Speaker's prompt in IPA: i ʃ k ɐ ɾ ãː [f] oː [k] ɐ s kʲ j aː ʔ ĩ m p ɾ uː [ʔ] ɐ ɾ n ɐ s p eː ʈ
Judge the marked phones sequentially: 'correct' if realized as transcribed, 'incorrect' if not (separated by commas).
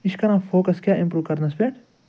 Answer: correct, correct, incorrect